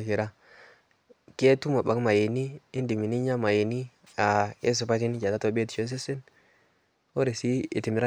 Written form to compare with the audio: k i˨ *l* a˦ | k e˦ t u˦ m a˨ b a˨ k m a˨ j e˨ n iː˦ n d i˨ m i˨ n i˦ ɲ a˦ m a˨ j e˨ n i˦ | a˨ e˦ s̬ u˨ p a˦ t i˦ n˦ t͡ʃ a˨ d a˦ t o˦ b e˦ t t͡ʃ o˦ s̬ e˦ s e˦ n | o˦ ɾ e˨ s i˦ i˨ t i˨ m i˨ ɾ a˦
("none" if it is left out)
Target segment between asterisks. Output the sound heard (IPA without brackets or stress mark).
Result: ɾ